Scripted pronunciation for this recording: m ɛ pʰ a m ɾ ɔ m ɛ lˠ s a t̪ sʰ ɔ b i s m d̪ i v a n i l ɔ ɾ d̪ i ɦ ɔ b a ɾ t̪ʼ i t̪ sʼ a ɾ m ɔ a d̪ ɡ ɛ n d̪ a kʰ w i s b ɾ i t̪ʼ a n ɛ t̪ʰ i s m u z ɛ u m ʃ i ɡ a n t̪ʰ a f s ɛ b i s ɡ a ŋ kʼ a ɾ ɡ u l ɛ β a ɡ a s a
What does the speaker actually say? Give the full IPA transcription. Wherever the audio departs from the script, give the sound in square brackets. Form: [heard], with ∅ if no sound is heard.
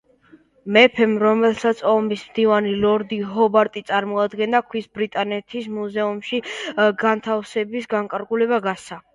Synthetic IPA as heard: m ɛ pʰ [ɛ] m ɾ ɔ m ɛ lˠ s a t̪ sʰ ɔ [m] i s m d̪ i v a n i l ɔ ɾ d̪ i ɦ ɔ b a ɾ t̪ʼ i t̪ sʼ a ɾ m ɔ a d̪ ɡ ɛ n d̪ a kʰ w i s b ɾ i t̪ʼ a n ɛ t̪ʰ i s m u z ɛ u m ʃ i ɡ a n t̪ʰ a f s ɛ b i s ɡ a ŋ kʼ a ɾ ɡ u l ɛ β a ɡ a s a